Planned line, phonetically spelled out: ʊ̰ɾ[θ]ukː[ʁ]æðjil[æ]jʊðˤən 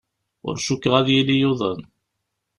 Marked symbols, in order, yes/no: no, yes, no

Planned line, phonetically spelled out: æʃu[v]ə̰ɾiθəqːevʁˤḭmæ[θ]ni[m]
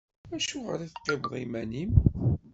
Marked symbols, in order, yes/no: no, no, yes

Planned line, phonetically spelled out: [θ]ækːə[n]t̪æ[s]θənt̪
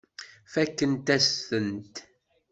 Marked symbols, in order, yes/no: no, yes, yes

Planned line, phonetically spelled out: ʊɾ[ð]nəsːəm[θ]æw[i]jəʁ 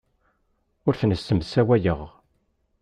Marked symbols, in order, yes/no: no, no, no

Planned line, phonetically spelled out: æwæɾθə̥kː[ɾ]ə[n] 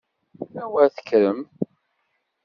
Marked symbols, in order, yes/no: yes, no

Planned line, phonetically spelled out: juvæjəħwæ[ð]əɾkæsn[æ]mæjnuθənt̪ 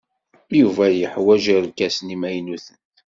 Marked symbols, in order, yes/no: no, no

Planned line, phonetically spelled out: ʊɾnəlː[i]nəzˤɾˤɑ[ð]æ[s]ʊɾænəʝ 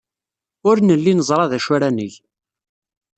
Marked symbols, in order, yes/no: yes, yes, no

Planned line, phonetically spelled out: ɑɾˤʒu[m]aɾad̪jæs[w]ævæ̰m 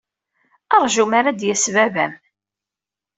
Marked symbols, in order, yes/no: yes, no

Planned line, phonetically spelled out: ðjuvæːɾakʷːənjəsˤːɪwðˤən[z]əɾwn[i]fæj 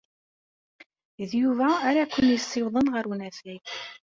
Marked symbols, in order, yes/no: no, no

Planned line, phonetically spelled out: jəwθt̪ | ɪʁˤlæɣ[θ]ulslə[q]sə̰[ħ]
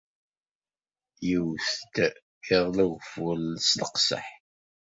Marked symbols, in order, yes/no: no, yes, yes

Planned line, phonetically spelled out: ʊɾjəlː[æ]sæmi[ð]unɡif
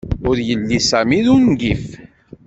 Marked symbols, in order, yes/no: no, yes

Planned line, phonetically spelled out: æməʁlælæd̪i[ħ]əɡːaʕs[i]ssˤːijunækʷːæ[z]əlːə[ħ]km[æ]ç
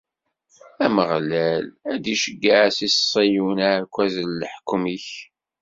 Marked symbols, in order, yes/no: no, yes, yes, yes, no

